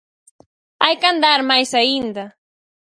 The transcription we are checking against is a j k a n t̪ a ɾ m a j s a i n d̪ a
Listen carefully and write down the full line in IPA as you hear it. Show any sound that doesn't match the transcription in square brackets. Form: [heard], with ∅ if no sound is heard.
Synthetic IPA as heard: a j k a n [d̪] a ɾ m a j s a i n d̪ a